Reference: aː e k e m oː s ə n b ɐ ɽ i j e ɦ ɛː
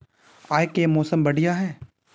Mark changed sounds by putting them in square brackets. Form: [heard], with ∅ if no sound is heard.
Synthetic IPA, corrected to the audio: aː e k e m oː s ə [m] b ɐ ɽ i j [a] ɦ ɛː